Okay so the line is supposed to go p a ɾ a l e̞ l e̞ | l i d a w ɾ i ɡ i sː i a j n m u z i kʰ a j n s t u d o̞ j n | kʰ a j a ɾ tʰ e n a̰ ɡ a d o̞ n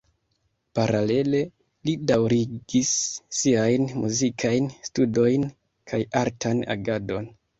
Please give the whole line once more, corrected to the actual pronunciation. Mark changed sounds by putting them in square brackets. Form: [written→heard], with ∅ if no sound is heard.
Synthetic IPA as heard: p a ɾ a l e̞ l e̞ | l i d a w ɾ i ɡ i sː i a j n m u z i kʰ a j n s t u d o̞ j n | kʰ a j a ɾ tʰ [e→a] n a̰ ɡ a d o̞ n